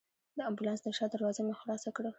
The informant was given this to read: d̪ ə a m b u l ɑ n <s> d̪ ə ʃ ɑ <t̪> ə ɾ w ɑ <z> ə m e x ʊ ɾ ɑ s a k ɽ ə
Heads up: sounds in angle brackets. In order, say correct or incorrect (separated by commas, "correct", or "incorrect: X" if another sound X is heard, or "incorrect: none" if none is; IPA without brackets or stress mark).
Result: correct, incorrect: d̪, correct